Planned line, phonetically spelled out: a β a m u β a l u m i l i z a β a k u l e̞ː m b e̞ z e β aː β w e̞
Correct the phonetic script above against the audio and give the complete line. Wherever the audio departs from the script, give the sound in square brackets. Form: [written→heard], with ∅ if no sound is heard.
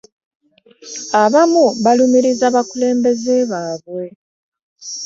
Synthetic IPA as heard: a β a m u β a l u m i [l→ɾ] i z a β a k u l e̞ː m b e̞ z e β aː β w e̞